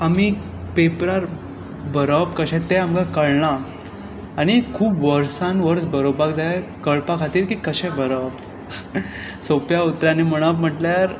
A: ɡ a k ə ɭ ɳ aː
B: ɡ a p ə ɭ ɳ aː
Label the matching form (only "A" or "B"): A